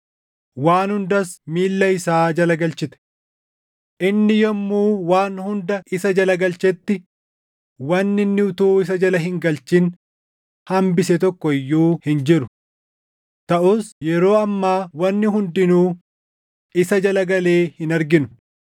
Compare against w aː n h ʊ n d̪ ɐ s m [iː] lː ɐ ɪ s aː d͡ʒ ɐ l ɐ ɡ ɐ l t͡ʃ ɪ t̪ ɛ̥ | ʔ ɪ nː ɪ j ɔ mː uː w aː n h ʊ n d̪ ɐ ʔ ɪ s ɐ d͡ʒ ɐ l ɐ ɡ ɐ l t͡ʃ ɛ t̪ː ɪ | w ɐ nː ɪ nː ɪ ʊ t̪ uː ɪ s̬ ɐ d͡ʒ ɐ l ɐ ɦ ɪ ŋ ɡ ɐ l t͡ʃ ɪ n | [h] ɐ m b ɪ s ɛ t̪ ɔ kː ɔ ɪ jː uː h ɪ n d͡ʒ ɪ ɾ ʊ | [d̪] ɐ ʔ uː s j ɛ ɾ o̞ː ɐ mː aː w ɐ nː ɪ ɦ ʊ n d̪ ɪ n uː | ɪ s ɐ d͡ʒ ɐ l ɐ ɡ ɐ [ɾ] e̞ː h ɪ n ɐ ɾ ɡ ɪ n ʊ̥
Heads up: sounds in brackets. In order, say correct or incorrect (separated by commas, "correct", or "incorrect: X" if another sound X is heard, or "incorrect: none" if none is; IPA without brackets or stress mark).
correct, correct, incorrect: t̪, incorrect: l